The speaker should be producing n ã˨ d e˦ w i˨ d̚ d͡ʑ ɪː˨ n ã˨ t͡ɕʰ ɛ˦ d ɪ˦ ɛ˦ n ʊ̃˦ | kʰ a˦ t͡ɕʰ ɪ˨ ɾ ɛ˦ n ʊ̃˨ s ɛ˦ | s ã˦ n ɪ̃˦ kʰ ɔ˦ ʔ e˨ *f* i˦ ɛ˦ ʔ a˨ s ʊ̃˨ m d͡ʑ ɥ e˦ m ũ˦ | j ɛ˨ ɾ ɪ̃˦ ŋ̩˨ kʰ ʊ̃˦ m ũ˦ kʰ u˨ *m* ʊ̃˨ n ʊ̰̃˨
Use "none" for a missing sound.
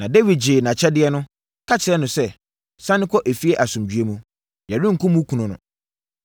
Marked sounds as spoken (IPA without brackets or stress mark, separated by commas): f, n